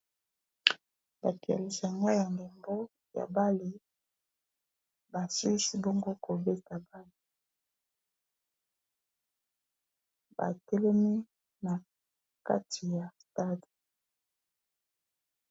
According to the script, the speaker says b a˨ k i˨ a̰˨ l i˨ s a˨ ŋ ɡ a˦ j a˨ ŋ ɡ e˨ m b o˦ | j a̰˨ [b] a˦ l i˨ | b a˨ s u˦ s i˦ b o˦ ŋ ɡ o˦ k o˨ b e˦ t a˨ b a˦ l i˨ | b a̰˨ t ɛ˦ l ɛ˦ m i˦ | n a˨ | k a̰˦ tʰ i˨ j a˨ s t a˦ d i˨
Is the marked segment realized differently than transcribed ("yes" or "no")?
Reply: no